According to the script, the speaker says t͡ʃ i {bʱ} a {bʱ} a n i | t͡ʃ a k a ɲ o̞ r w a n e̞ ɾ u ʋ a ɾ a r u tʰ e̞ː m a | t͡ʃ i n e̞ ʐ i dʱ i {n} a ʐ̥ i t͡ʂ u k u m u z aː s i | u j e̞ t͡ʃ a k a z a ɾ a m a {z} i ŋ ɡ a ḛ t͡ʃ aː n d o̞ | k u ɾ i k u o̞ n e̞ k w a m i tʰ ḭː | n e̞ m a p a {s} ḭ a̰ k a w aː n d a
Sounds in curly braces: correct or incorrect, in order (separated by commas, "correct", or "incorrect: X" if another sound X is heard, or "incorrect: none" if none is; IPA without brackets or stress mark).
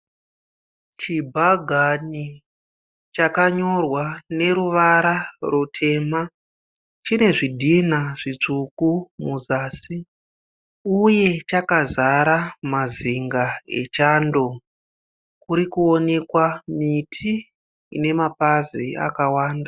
correct, incorrect: ɡʱ, correct, correct, incorrect: z